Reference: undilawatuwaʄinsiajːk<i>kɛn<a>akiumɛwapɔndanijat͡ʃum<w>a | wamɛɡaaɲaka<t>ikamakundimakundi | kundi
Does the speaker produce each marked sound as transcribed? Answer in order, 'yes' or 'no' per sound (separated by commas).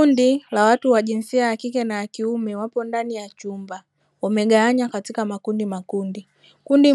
yes, yes, no, yes